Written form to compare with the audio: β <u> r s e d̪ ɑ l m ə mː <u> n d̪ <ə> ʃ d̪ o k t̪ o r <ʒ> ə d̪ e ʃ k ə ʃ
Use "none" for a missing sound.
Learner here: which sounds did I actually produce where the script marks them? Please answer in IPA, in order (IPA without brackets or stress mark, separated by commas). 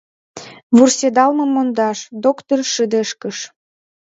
u, o, ɑ, ʃ